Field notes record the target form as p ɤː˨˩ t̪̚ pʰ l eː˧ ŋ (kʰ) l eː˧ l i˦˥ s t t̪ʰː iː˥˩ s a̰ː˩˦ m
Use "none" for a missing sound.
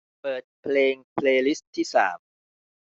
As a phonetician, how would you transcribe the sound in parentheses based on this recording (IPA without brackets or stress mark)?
pʰ